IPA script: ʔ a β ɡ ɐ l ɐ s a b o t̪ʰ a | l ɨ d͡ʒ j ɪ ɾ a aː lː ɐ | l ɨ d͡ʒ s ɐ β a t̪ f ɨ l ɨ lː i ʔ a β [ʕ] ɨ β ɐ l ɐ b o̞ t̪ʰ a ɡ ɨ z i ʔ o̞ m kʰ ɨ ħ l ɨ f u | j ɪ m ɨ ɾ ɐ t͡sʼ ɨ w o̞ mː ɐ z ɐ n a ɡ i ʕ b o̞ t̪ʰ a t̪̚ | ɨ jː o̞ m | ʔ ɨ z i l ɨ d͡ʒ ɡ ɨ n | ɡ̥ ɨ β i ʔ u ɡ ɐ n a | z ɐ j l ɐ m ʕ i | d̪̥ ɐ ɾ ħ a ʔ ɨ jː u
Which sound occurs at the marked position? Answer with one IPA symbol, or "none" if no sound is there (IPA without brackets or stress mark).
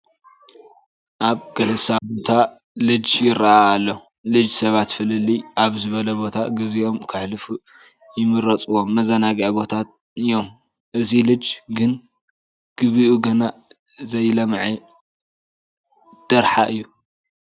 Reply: z